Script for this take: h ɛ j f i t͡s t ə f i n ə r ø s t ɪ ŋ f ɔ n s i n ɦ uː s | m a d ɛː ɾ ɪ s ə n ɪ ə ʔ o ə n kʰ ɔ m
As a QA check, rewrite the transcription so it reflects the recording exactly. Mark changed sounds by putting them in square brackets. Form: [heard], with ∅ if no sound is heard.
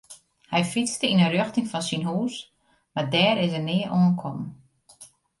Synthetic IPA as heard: h ɛ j f i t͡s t ə [∅] i n ə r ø [x] t ɪ ŋ f ɔ n s i n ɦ uː s | m a d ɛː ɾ ɪ s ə n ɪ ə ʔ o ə n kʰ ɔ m